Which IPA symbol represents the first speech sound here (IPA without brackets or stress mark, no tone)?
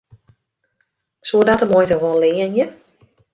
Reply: s